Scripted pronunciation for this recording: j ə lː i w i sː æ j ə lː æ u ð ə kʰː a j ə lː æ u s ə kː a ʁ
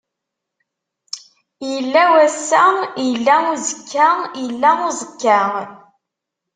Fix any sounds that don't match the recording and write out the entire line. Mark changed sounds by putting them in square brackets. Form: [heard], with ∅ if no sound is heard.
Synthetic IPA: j ə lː [æ] w [æ] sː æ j ə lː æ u [z] ə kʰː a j ə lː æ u [z] ə kː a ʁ